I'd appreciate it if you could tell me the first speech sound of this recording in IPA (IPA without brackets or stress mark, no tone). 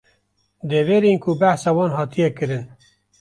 d̪